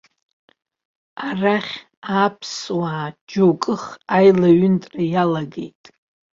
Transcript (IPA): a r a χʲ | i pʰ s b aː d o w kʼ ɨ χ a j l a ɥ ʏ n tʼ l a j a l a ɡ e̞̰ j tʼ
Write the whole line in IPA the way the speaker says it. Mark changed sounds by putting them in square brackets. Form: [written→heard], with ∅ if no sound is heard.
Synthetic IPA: a r a χʲ | [i→a] pʰ s [b→w] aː [d→d͡ʒ] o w kʼ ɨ χ a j l a ɥ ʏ n tʼ [l→r] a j a l a ɡ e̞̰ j tʼ